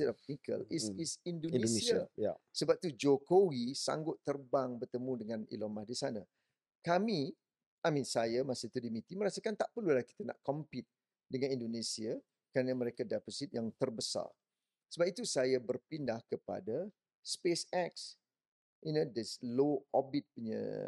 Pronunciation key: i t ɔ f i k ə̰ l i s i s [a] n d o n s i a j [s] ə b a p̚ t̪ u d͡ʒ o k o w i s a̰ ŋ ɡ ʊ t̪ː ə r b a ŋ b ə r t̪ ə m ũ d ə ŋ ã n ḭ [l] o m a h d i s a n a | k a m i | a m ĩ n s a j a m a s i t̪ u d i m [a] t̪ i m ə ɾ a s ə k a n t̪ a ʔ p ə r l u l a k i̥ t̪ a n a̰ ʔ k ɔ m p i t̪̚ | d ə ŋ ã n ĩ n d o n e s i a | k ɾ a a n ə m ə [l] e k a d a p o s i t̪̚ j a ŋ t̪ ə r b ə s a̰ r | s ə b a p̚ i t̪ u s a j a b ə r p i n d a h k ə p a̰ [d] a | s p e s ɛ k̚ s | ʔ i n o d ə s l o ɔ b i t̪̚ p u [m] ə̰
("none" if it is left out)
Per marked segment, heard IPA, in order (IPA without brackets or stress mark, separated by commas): i, s, l, i, ɾ, d, ɲ